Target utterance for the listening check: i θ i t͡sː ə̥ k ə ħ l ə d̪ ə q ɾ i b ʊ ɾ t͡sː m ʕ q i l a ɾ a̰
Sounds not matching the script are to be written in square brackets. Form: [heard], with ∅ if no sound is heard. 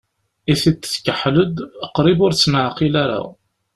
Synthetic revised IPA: i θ i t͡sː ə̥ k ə ħ l ə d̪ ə q ɾ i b ʊ ɾ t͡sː [n] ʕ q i l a ɾ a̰